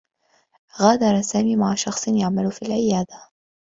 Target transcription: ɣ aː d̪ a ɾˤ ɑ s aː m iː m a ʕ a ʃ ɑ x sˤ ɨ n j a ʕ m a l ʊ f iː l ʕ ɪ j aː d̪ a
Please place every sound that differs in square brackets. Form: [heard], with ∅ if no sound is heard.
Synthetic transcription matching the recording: ɣ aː d̪ [ɑ] ɾˤ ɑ s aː m iː m a ʕ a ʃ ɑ x sˤ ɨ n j a ʕ m a l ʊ f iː l ʕ ɪ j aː d̪ a